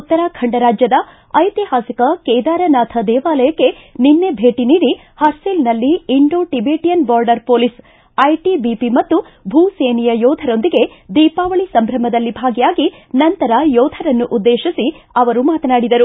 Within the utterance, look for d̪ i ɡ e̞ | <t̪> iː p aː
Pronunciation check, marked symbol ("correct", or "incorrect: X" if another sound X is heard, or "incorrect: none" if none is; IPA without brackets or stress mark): incorrect: d̪